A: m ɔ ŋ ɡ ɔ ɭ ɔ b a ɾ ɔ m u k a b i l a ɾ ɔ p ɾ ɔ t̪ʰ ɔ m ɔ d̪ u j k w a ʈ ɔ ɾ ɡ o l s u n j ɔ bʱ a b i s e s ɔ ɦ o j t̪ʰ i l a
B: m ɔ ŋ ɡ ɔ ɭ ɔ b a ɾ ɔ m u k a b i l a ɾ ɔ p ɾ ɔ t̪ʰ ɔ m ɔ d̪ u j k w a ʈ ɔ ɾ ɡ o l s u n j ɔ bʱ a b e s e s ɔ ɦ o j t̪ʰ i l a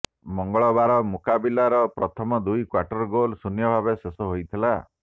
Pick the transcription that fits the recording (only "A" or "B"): B